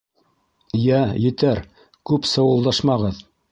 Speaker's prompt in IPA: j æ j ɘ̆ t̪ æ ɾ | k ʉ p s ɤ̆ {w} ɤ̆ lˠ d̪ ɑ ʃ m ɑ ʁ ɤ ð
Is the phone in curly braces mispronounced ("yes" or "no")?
no